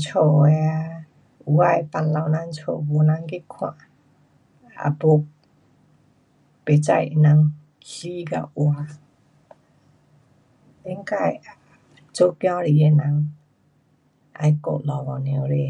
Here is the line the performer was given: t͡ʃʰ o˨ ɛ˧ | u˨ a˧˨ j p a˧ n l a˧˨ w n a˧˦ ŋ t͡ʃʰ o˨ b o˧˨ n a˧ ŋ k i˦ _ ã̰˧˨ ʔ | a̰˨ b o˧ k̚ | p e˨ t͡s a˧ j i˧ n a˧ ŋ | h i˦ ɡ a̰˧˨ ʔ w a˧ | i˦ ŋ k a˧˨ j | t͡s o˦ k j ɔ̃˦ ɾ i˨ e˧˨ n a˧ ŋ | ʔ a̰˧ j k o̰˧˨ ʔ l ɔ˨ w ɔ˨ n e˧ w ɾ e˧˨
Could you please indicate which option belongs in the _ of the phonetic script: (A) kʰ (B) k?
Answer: A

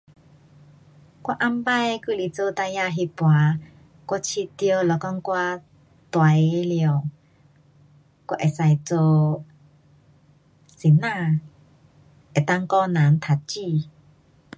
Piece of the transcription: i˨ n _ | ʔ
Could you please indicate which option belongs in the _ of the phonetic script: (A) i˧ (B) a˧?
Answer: B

